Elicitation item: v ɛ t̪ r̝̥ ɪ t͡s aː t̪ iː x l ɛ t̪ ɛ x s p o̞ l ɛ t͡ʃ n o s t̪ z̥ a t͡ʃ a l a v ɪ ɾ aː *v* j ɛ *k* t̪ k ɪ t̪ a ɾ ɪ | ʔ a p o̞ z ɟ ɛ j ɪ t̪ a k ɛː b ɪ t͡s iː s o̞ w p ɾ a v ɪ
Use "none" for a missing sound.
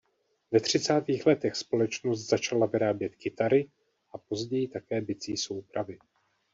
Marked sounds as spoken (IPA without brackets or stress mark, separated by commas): b, none